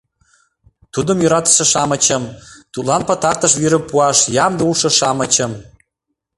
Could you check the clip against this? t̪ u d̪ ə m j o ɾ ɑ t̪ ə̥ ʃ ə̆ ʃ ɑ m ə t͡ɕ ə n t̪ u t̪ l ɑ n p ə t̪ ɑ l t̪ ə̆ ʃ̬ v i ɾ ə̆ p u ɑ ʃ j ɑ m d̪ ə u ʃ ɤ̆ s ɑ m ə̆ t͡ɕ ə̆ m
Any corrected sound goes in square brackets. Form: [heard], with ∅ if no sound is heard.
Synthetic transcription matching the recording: t̪ u d̪ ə m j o ɾ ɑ t̪ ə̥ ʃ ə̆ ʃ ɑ m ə t͡ɕ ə [m] t̪ u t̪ l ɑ n p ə t̪ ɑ [r] t̪ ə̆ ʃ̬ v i ɾ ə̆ p u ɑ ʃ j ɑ m d̪ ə u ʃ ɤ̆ [ʃ] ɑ m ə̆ t͡ɕ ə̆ m